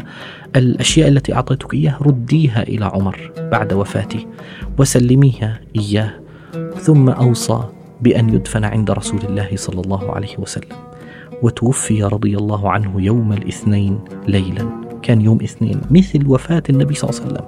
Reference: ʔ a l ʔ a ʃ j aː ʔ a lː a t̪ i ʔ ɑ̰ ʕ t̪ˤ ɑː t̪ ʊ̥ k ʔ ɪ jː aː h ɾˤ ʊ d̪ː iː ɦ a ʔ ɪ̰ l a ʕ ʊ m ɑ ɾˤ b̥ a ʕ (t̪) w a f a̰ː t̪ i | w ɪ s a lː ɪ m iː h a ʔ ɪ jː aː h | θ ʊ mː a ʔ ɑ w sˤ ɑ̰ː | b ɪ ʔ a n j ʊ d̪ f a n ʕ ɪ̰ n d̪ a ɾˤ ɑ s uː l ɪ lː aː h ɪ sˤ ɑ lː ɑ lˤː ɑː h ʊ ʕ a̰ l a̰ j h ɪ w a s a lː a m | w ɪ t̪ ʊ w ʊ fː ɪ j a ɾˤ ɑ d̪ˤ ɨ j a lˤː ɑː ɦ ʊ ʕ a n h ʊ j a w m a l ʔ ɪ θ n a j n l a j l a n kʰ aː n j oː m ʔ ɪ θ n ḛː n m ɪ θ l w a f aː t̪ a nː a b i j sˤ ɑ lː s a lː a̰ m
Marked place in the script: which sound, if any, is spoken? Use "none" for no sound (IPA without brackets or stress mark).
d̪